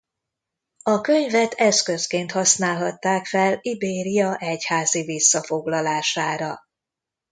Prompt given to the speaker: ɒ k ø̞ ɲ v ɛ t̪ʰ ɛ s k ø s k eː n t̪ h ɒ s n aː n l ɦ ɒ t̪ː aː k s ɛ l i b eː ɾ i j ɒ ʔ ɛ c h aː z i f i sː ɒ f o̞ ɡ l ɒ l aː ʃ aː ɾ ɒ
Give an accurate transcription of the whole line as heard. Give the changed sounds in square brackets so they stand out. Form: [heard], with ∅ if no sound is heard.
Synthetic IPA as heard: ɒ k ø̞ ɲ v ɛ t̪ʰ ɛ s k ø s k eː n t̪ h ɒ s n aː [∅] l ɦ ɒ t̪ː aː k [f] ɛ l i b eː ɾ i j ɒ ʔ ɛ c h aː z i [v] i sː ɒ f o̞ ɡ l ɒ l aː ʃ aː ɾ ɒ